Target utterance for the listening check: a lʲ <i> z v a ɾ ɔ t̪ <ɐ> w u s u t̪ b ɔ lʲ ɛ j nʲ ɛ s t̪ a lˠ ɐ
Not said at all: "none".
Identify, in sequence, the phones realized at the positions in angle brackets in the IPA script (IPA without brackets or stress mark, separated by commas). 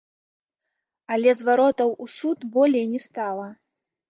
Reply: ɛ, ɐ